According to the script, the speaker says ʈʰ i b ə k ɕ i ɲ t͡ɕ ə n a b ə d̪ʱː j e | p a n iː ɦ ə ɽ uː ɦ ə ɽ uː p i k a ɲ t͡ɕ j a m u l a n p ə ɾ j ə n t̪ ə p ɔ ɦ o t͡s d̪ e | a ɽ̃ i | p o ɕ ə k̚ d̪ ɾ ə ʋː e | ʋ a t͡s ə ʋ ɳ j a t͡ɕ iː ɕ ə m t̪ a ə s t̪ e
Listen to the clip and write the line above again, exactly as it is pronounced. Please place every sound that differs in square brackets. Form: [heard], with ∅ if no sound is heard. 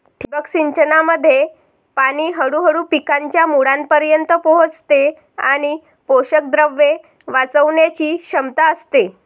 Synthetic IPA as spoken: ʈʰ i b ə k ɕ i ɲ t͡ɕ ə n a [m] ə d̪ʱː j e | p a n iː ɦ ə ɽ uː ɦ ə ɽ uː p i k a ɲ t͡ɕ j a m u [ɽ] a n p ə ɾ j ə n t̪ ə p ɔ ɦ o t͡s [t̪] e | a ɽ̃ i | p o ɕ ə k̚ d̪ ɾ ə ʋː e | ʋ a t͡s ə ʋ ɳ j a t͡ɕ iː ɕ ə m t̪ a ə s t̪ e